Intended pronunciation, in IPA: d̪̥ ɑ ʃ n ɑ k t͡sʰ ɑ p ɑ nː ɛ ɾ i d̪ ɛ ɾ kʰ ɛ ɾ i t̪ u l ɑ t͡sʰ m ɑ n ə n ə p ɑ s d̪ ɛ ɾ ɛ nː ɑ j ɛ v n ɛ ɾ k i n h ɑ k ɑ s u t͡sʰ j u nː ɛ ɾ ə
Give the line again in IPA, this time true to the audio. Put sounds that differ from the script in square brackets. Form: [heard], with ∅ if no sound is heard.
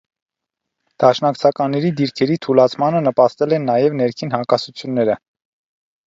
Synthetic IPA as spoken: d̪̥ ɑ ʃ n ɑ k t͡sʰ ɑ [k] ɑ nː ɛ ɾ i d̪ [i] ɾ kʰ ɛ ɾ i [t̪ʰ] u l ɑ t͡sʰ m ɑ n ə n ə p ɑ s [t̪] ɛ [l] ɛ nː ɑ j ɛ v n ɛ ɾ [kʰ] i n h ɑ k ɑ s u t͡sʰ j u nː ɛ ɾ ə